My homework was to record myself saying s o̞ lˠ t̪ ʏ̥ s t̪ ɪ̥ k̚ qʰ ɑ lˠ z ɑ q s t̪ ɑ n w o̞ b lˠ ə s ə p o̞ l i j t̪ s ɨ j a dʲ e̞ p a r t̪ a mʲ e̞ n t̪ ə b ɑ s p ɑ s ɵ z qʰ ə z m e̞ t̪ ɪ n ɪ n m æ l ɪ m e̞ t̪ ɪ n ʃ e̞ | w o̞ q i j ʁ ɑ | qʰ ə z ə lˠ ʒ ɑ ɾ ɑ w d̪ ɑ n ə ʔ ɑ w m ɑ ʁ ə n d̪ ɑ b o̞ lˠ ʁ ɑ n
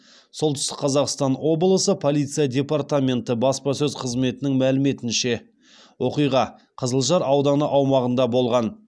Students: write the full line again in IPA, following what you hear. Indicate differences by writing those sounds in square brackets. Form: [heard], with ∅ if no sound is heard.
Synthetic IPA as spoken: s o̞ lˠ t̪ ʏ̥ s t̪ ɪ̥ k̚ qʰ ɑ [∅] z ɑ q s t̪ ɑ n w o̞ b lˠ ə s ə [pʰ] o̞ l i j t̪ s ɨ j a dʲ e̞ p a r t̪ a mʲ e̞ n t̪ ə b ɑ s p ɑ s ɵ z qʰ ə z m e̞ t̪ ɪ n ɪ [ŋ] m æ l ɪ m e̞ t̪ ɪ n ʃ e̞ | w o̞ q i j ʁ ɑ | qʰ ə z ə lˠ ʒ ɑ ɾ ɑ w d̪ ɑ n ə ʔ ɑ w m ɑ ʁ ə n d̪ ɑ b o̞ lˠ ʁ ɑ n